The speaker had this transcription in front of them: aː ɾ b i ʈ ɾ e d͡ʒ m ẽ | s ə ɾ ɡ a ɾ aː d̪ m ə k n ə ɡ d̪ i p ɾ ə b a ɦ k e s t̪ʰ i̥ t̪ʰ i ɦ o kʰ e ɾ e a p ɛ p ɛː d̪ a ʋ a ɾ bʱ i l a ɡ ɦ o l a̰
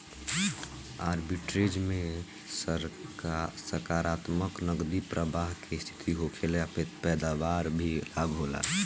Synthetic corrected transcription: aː ɾ b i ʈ ɾ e d͡ʒ m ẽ | s ə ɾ k a ɾ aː t̪ m ə k n ə ɡ d̪ i p ɾ ə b a ɦ k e s t̪ʰ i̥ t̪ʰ i ɦ o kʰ e l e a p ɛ p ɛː d̪ a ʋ a ɾ bʱ i l a ɡ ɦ o l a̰